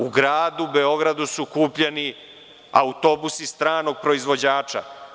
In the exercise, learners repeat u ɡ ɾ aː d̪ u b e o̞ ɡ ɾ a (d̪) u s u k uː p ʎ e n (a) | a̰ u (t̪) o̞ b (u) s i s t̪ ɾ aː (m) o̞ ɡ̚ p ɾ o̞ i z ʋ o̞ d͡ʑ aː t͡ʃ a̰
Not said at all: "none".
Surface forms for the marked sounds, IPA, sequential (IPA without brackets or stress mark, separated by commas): d̪, i, t̪, u, n